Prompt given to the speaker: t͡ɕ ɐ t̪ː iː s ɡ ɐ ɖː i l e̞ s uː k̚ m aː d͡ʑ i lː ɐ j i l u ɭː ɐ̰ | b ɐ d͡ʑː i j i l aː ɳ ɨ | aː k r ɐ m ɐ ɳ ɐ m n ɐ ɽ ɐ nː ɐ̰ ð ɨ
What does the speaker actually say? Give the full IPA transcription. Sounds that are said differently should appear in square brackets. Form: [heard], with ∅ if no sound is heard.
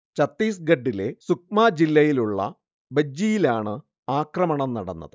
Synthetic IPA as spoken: t͡ɕ ɐ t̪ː iː s ɡ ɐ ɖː i l e̞ s [u] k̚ m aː d͡ʑ i lː ɐ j i l u ɭː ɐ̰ | b ɐ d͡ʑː i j i l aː ɳ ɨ | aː k r ɐ m ɐ ɳ ɐ m n ɐ ɽ ɐ nː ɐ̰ ð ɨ